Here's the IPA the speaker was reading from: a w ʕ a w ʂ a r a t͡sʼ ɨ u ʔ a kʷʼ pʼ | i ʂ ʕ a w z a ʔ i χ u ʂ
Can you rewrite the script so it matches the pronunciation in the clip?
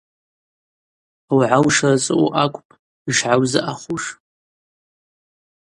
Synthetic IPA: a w ʕ a w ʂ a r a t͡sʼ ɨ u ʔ a kʷʼ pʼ | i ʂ ʕ a w z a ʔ a χ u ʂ